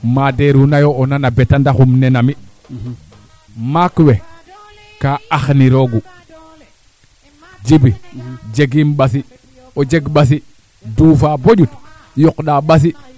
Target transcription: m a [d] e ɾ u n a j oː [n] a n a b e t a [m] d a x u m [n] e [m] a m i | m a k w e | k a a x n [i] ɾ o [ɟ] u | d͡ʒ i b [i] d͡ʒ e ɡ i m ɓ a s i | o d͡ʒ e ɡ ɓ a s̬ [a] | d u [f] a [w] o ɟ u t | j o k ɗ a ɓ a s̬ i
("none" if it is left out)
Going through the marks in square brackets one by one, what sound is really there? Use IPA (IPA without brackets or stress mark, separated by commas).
d, n, n, n, n, i, ɡ, i, i, f, b